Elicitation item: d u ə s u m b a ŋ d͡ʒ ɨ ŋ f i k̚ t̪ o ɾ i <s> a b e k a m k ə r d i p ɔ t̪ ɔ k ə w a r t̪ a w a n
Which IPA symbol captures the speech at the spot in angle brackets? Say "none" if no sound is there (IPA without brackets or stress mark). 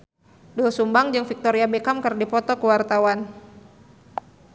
none